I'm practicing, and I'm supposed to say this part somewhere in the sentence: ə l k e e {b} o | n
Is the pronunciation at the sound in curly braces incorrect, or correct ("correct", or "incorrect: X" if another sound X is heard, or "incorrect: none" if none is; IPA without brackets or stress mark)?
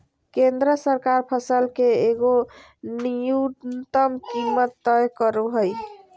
incorrect: ɡ